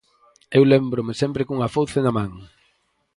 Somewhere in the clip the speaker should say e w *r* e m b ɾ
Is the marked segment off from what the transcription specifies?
yes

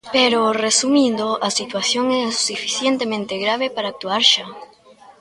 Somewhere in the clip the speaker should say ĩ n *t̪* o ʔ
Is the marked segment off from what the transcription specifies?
yes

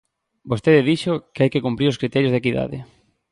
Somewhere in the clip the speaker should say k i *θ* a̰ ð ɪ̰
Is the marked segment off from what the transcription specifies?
yes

